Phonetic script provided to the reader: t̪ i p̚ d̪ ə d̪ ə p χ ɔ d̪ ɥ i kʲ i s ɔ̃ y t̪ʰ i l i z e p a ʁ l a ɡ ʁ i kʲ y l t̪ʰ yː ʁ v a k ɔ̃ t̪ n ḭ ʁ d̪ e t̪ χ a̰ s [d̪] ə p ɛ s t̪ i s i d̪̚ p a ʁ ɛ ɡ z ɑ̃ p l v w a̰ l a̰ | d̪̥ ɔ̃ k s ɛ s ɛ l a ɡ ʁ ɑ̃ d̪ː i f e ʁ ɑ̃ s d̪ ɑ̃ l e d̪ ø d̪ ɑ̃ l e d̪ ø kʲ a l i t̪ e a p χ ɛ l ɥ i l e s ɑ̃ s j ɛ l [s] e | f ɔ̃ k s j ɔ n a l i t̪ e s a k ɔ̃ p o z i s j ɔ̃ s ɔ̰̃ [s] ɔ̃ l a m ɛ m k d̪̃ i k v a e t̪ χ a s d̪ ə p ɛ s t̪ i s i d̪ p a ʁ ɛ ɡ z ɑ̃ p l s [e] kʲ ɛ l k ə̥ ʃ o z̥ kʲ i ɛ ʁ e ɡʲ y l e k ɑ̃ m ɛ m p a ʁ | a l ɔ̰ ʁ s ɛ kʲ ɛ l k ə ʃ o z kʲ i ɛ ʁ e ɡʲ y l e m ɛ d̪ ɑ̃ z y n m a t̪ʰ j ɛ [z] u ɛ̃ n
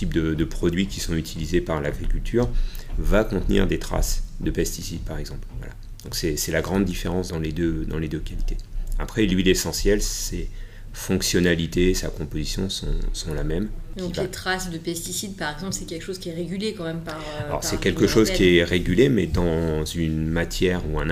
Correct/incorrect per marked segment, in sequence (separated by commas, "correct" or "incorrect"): correct, correct, correct, incorrect, incorrect